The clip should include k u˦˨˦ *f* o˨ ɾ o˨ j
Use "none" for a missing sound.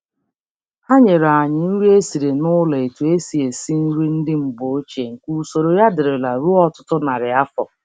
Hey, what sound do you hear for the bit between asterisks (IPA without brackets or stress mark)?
s